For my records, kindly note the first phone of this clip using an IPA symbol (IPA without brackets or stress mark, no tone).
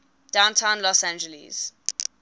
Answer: d̥